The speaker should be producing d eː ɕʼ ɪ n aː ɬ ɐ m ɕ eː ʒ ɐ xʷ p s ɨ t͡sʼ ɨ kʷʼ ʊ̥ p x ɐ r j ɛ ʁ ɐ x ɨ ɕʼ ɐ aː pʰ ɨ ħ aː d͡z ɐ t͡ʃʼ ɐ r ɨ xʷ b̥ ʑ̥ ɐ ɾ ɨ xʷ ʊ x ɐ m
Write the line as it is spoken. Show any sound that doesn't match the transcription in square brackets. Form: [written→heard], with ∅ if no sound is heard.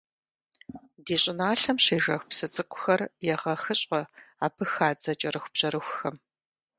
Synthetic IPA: d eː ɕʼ ɪ n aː ɬ ɐ m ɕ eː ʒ ɐ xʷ p s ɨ t͡sʼ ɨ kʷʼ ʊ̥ [p→∅] x ɐ r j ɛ ʁ ɐ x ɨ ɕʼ ɐ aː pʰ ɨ [ħ→x] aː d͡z ɐ t͡ʃʼ ɐ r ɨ xʷ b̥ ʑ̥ ɐ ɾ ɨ xʷ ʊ x ɐ m